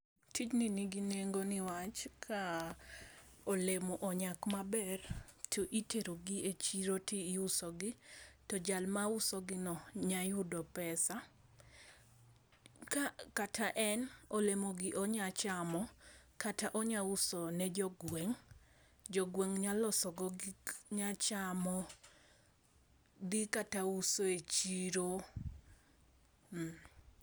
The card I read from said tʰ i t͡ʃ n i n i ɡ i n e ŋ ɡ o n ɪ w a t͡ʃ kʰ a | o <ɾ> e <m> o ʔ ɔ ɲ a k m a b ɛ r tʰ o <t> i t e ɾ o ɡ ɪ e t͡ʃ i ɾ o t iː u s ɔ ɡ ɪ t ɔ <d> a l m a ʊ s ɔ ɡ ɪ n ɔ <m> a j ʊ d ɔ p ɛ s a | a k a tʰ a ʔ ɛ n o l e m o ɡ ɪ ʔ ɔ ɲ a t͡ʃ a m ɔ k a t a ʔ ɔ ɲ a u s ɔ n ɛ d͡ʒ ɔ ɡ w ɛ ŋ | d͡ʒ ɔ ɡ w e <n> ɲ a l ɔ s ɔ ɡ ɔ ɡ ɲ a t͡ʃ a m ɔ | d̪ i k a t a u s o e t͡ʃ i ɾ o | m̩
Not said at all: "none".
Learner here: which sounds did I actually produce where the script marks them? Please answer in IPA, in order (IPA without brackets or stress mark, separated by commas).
l, m, ʔ, d͡ʒ, ɲ, ŋ